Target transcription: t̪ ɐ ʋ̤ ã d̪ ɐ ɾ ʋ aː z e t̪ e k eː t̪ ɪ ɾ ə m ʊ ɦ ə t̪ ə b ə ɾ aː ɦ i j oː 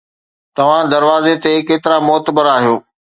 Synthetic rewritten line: t̪ ɐ ʋ̤ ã d̪ ɐ ɾ ʋ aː z e t̪ e k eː t̪ ɪ ɾ a m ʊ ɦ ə t̪ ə b ə ɾ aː ɦ i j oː